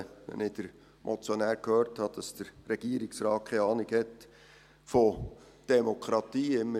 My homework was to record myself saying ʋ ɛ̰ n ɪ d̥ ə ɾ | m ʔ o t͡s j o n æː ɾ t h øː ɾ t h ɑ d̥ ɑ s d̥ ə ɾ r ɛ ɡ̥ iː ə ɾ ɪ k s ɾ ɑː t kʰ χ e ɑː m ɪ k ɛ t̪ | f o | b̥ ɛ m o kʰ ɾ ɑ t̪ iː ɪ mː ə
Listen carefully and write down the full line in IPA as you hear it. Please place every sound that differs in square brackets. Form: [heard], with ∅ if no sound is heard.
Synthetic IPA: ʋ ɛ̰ n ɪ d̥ ə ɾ | m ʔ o t͡s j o n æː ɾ [k] h øː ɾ t h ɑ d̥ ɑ s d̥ ə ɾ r ɛ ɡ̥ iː ə ɾ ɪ k s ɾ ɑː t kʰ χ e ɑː [n] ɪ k ɛ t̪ | f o | [d̥] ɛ m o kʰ ɾ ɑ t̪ iː ɪ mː ə